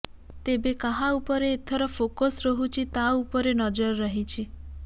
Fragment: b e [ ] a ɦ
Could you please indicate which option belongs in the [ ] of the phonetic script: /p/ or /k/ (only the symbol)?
k